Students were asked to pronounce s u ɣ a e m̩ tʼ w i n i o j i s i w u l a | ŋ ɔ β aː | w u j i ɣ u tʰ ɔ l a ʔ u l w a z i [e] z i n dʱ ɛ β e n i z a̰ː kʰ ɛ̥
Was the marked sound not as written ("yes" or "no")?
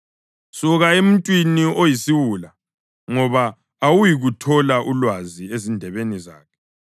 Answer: no